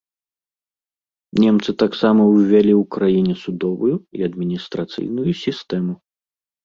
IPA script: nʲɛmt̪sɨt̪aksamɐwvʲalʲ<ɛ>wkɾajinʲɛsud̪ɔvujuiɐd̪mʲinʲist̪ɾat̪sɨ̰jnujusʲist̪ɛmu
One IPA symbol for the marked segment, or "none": i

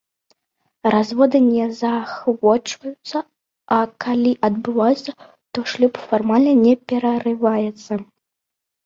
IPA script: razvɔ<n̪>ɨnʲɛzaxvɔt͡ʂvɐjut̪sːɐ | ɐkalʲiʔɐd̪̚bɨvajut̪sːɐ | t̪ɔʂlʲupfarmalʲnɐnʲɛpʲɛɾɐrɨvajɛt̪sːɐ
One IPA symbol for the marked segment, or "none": d̪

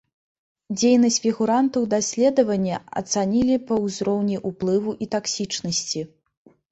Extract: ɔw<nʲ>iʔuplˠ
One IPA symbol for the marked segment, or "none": nʲ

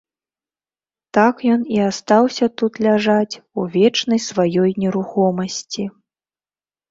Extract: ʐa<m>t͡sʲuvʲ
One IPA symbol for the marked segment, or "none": none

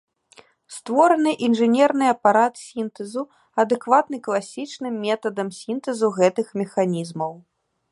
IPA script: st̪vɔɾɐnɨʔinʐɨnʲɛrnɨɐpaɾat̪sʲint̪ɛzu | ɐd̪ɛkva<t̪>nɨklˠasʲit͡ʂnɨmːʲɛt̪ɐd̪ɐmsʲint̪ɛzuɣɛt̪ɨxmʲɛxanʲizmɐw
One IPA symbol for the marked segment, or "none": t̪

